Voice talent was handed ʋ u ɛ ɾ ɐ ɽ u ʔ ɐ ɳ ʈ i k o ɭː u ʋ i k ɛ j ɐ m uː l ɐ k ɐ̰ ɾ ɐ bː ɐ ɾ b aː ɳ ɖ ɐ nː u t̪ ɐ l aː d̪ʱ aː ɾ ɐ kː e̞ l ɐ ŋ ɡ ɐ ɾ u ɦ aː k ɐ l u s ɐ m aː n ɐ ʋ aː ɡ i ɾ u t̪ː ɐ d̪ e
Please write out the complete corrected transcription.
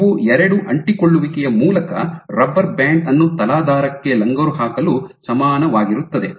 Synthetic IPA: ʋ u ɛ ɾ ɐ ɽ u ʔ ɐ ɳ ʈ i k o ɭː u ʋ i k ɛ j ɐ m uː l ɐ k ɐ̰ ɾ ɐ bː ɐ ɾ b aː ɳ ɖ ɐ nː u t̪ ɐ l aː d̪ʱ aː ɾ ɐ kː e̞ l ɐ ŋ ɡ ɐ ɾ u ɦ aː k ɐ l u s ɐ m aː n ɐ ʋ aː ɡ i ɾ u t̪ː ɐ d̪ e

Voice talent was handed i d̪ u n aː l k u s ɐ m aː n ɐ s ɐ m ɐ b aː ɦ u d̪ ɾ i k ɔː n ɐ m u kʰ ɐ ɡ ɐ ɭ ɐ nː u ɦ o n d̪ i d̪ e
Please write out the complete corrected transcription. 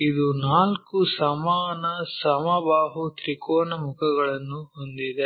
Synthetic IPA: i d̪ u n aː l k u s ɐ m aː n ɐ s ɐ m ɐ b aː ɦ u t̪ ɾ i k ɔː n ɐ m u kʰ ɐ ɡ ɐ ɭ ɐ nː u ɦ o n d̪ i d̪ e

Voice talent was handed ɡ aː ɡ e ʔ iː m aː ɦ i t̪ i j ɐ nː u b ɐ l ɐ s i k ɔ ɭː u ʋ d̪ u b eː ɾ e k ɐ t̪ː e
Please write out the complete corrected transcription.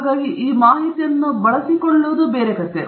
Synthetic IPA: ɡ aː ɡ i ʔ iː m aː ɦ i t̪ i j ɐ nː u b ɐ ɭ ɐ s i k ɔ ɭː u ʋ d̪ u b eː ɾ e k ɐ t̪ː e

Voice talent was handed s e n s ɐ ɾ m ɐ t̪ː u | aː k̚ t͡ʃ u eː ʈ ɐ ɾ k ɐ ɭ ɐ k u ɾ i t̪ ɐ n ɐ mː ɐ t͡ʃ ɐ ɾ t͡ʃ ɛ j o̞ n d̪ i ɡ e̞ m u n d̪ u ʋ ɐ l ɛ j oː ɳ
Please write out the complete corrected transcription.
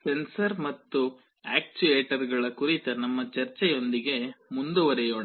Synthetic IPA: s e n s ɐ ɾ m ɐ t̪ː u | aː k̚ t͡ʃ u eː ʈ ɐ ɾ ɡ ɐ ɭ ɐ k u ɾ i t̪ ɐ n ɐ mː ɐ t͡ʃ ɐ ɾ t͡ʃ ɛ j o̞ n d̪ i ɡ e̞ m u n d̪ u ʋ ɐ ɾ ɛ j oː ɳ

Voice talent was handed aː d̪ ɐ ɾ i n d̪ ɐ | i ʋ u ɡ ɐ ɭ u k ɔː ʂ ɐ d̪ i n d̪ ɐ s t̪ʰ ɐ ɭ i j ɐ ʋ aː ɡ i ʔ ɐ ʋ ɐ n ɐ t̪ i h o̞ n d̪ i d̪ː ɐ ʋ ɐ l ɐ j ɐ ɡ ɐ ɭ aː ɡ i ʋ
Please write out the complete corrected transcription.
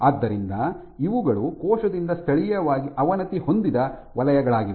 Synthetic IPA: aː d̪ː ɐ ɾ i n d̪ ɐ | i ʋ u ɡ ɐ ɭ u k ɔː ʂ ɐ d̪ i n d̪ ɐ s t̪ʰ ɐ ɭ i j ɐ ʋ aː ɡ i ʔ ɐ ʋ ɐ n ɐ t̪ i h o̞ n d̪ i d̪ ɐ ʋ ɐ l ɐ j ɐ ɡ ɐ ɭ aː ɡ i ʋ

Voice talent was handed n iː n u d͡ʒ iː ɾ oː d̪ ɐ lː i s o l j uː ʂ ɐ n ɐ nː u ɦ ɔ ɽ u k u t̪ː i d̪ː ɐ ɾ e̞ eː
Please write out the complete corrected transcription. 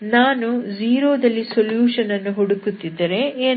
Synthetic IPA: n aː n u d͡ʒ iː ɾ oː d̪ ɐ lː i s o l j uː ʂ ɐ n ɐ nː u ɦ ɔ ɽ u k u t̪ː i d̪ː ɐ ɾ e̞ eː

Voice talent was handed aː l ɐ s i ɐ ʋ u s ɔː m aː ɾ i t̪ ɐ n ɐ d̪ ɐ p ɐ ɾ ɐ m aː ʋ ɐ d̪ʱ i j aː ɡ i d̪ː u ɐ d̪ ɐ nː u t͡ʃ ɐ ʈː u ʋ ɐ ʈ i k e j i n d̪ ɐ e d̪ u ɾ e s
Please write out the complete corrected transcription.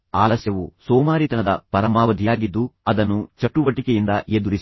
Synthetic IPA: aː l ɐ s j ɐ ʋ u s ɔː m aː ɾ i t̪ ɐ n ɐ d̪ ɐ p ɐ ɾ ɐ m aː ʋ ɐ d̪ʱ i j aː ɡ i d̪ː u ɐ d̪ ɐ nː u t͡ʃ ɐ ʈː u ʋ ɐ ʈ i k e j i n d̪ ɐ e d̪ u ɾ i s

